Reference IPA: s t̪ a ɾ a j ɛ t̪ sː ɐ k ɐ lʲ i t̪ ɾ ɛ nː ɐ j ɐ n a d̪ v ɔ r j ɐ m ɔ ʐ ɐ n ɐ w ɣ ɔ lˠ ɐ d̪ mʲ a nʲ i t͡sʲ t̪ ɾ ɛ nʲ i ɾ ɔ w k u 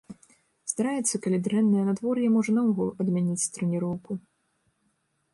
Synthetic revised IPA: s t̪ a ɾ a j ɛ t̪ sː ɐ k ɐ lʲ i d̪ ɾ ɛ nː ɐ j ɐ n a d̪ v ɔ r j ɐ m ɔ ʐ ɐ n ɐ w ɣ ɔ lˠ ɐ d̪ mʲ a nʲ i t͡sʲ t̪ ɾ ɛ nʲ i ɾ ɔ w k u